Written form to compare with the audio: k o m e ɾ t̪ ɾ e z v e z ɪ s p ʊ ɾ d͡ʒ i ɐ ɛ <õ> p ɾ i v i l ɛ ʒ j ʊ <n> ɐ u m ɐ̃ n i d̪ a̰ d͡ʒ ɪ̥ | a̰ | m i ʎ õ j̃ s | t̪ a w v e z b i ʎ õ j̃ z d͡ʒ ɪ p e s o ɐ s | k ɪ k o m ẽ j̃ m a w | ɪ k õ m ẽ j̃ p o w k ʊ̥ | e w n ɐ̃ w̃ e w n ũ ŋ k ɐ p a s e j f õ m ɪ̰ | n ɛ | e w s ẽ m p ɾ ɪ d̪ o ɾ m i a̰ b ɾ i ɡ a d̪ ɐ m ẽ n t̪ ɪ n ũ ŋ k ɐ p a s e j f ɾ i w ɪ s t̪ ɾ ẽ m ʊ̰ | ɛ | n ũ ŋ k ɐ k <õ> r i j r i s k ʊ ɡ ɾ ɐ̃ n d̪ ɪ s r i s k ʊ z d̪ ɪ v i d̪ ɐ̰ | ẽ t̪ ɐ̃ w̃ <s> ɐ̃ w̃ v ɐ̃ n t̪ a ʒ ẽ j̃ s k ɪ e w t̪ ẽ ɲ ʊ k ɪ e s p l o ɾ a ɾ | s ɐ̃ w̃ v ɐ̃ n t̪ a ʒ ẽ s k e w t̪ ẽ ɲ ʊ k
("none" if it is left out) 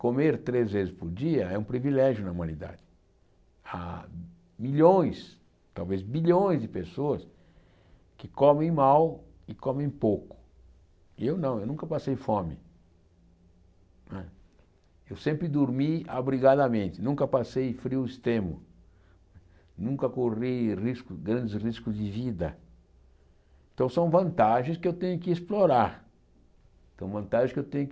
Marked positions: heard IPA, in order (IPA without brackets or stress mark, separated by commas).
ũ, n, o, s